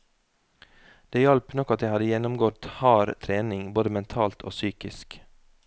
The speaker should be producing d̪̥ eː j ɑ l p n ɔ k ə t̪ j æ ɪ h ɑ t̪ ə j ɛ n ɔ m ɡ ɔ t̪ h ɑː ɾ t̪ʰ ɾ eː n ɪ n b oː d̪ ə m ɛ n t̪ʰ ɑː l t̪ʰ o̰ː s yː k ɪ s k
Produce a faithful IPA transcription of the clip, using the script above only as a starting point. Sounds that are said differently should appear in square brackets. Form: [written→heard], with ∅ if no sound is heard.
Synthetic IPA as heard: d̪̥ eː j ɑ l p n ɔ k [ə→ɑ] t̪ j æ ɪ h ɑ [t̪→d̪] ə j ɛ n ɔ m ɡ ɔ t̪ h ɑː ɾ t̪ʰ ɾ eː n ɪ [n→ŋ] b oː d̪ ə m ɛ n t̪ʰ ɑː l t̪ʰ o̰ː s yː k ɪ s k